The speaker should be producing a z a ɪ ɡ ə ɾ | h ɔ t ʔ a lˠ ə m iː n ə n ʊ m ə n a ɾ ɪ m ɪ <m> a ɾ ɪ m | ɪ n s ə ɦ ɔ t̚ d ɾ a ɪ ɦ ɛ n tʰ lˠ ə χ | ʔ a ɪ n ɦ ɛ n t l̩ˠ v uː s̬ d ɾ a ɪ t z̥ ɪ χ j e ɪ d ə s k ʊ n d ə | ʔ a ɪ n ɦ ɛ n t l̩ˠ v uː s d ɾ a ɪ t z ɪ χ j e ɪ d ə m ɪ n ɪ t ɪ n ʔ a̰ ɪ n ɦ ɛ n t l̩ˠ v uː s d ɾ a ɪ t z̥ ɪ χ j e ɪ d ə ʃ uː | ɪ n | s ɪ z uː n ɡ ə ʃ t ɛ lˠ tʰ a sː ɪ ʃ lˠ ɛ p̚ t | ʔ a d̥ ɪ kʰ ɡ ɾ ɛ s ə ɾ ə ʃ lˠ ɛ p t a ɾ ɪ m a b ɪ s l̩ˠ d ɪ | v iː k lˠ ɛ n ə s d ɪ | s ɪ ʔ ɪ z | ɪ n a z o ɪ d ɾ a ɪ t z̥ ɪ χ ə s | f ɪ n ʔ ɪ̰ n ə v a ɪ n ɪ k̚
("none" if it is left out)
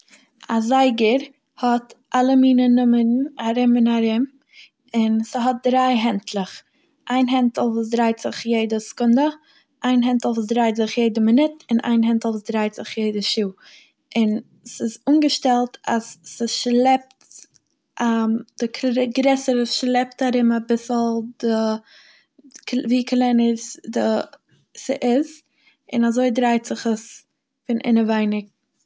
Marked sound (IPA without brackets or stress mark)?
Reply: n